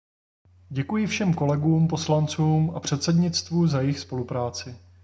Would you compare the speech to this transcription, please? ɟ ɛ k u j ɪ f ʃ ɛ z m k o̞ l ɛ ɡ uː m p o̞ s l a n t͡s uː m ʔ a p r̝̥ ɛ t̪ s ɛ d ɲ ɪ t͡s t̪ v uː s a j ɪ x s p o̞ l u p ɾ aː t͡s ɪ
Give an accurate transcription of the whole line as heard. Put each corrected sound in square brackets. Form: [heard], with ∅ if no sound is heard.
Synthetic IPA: ɟ ɛ k u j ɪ f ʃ ɛ [∅] m k o̞ l ɛ ɡ uː m p o̞ s l a n t͡s uː m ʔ a p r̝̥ ɛ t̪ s ɛ d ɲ ɪ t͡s t̪ v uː [z] a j ɪ x s p o̞ l u p ɾ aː t͡s ɪ